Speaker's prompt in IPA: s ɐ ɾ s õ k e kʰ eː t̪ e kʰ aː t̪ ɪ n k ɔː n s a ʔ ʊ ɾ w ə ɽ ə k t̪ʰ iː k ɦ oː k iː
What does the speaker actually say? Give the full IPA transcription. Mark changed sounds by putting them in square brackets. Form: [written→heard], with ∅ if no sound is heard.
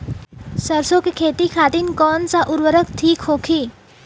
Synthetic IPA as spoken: s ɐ ɾ s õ k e kʰ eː t̪ [e→i] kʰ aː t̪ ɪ n k ɔː n s a ʔ ʊ ɾ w ə [ɽ→ɾ] ə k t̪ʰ iː k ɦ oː [k→kʰ] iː